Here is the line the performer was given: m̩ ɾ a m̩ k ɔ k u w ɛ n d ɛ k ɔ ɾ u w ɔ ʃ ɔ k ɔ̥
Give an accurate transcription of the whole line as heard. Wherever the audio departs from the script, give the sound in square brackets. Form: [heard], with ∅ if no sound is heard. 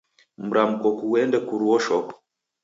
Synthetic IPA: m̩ ɾ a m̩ k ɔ k u w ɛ n d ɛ k [u] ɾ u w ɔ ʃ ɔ k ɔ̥